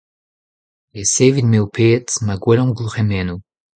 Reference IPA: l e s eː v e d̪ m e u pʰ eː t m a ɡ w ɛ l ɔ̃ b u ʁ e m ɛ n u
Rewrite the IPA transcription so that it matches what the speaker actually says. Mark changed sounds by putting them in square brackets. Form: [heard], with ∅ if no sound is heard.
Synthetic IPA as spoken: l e s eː v [i] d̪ m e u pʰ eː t m a ɡ w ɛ l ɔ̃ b u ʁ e m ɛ n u